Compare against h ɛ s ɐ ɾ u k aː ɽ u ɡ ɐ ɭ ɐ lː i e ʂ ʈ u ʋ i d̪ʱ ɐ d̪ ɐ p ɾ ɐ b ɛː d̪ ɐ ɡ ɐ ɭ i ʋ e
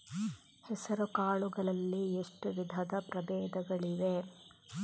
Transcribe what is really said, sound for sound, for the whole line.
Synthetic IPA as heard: h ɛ s ɐ ɾ u k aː ɭ u ɡ ɐ ɭ ɐ lː i e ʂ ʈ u ʋ i d̪ʱ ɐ d̪ ɐ p ɾ ɐ b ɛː d̪ ɐ ɡ ɐ ɭ i ʋ e

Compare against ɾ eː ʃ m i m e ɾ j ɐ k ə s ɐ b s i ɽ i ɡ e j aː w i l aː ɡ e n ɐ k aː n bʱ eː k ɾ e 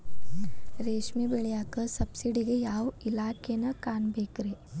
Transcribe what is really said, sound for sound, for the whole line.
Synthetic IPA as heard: ɾ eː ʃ m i b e ɭ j a k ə s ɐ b s i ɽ i ɡ e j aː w i l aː k e n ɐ k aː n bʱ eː k ɾ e

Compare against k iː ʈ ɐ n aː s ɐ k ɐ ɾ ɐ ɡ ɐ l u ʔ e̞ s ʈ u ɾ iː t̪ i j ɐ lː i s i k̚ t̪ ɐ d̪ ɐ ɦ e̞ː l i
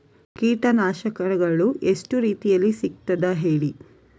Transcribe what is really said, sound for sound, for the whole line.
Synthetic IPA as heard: k iː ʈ ɐ n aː ʃ ɐ k ɐ ɾ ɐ ɡ ɐ ɭ u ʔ e̞ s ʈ u ɾ iː t̪ i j ɐ lː i s i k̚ t̪ ɐ d̪ ɐ ɦ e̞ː ɭ i

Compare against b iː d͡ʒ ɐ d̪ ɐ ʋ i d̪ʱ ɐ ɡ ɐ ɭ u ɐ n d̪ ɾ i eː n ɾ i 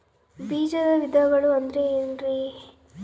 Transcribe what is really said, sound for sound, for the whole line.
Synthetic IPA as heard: b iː d͡ʒ ɐ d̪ ɐ ʋ i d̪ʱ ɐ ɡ ɐ ɭ u ɐ n d̪ ɾ e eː n ɾ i

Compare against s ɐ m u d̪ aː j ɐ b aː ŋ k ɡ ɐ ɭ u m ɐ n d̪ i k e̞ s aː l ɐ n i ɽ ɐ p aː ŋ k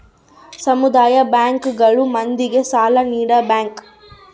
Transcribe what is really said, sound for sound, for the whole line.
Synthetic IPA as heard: s ɐ m u d̪ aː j ɐ b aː ŋ k ɡ ɐ ɭ u m ɐ n d̪ i ɡ e̞ s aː l ɐ n iː ɽ ɐ b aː ŋ k

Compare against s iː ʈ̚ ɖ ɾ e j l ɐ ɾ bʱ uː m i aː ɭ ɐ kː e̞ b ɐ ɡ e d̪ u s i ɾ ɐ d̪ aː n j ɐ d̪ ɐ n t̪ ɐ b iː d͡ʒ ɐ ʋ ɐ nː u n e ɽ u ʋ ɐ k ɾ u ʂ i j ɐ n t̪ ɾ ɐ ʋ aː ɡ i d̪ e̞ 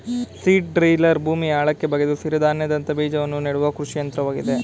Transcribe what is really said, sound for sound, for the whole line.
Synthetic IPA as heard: s iː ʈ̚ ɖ ɾ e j l ɐ ɾ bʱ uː m i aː ɭ ɐ kː e̞ b ɐ ɡ e d̪ u s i ɾ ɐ d̪ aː n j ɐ d̪ ɐ n t̪ ɐ b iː d͡ʒ ɐ ʋ ɐ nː u n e ɽ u ʋ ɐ k ɾ u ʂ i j ɐ n t̪ ɾ ɐ ʋ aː ɡ i d̪ e̞

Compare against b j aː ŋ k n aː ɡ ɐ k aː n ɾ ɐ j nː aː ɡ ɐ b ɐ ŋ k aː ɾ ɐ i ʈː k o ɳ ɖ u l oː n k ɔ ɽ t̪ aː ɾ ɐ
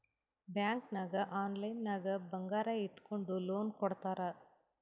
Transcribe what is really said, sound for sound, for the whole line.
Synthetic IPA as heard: b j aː ŋ k n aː ɡ ɐ ʔ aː n l ɐ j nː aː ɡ ɐ b ɐ ŋ ɡ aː ɾ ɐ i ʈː k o ɳ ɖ u l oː n k ɔ ɽ t̪ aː ɾ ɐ

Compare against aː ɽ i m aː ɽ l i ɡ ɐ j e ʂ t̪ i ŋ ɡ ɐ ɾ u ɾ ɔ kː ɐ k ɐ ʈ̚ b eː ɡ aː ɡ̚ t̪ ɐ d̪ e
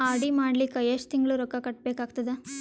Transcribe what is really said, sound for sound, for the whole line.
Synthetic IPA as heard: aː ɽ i m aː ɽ l i k ɐ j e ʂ t̪ i ŋ ɡ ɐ ɭ u ɾ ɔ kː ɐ k ɐ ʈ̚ b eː k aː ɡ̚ t̪ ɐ d̪ e

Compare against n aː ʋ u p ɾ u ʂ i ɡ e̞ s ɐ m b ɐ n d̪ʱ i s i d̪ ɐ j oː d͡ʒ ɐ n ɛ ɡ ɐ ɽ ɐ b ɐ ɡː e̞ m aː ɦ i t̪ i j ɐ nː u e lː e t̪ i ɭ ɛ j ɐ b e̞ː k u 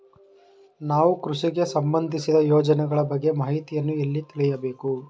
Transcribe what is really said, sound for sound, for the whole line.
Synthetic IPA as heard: n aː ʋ u k ɾ u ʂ i ɡ e̞ s ɐ m b ɐ n d̪ʱ i s i d̪ ɐ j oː d͡ʒ ɐ n ɛ ɡ ɐ ɭ ɐ b ɐ ɡː e̞ m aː ɦ i t̪ i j ɐ nː u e lː i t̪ i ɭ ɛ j ɐ b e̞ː k u

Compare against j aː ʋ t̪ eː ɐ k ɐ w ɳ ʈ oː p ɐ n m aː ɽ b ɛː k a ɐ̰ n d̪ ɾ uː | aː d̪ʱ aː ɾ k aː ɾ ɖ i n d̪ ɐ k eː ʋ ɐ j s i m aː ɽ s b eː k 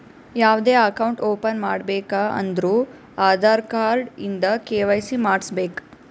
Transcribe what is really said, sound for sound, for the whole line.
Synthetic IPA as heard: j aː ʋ d̪ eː ɐ k ɐ w ɳ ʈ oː p ɐ n m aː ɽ b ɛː k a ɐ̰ n d̪ ɾ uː | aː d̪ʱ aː ɾ k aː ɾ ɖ i n d̪ ɐ k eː ʋ ɐ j s i m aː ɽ s b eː k

